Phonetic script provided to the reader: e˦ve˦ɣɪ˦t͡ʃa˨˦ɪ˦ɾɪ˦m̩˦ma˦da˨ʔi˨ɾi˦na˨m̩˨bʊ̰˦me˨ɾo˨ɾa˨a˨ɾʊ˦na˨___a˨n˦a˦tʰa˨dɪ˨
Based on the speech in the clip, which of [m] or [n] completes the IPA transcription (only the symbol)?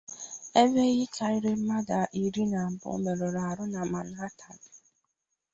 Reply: m